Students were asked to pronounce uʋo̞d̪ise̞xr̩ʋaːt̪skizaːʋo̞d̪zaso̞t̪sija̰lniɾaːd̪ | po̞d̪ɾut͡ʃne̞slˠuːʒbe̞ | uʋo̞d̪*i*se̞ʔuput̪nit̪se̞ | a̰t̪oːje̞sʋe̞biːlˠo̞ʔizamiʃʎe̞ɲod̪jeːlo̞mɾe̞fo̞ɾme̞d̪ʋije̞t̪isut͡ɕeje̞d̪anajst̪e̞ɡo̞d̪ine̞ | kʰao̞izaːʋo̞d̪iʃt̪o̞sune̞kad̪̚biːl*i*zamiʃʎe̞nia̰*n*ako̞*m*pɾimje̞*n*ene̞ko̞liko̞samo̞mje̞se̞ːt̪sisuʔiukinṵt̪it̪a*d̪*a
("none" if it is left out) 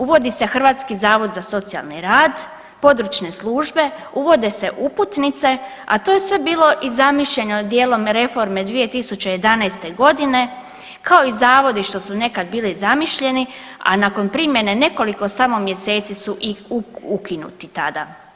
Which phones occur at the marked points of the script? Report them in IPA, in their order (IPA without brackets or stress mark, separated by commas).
e, i, n, n, n, d̪